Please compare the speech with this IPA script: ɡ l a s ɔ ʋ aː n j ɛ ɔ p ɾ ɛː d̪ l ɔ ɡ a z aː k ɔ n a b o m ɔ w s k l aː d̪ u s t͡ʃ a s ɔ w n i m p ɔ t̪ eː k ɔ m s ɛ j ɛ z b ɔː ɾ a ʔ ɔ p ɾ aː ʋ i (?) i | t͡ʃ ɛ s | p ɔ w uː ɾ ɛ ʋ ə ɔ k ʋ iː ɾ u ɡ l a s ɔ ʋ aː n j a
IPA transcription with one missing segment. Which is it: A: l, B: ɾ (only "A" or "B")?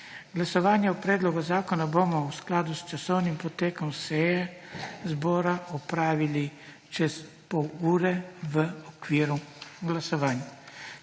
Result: A